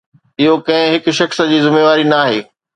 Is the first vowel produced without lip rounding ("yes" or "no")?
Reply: yes